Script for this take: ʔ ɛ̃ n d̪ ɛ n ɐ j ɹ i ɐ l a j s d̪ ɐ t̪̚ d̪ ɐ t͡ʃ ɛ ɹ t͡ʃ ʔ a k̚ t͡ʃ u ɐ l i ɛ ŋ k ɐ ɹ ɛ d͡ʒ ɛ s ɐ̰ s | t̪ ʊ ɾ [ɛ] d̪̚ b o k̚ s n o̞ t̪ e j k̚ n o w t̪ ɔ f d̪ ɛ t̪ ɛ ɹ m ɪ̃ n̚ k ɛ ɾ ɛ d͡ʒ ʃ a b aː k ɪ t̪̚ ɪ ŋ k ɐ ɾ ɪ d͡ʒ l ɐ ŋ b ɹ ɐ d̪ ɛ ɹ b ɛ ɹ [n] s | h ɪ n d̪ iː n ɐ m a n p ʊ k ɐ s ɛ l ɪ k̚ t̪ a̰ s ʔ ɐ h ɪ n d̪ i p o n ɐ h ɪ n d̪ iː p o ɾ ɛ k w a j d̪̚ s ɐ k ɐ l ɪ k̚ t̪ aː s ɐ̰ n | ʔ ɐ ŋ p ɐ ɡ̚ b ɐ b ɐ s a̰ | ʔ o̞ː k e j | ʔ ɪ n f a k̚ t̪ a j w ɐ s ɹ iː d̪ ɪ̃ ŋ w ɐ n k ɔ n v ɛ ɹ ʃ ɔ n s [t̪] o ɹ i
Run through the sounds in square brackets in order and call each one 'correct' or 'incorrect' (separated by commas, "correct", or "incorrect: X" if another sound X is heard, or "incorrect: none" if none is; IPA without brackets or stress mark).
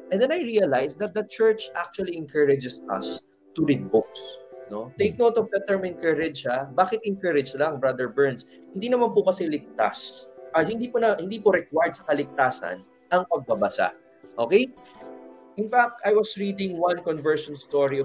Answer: incorrect: i, correct, correct